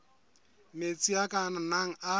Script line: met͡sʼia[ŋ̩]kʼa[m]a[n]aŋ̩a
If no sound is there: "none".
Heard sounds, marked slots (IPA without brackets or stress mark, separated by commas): none, n, n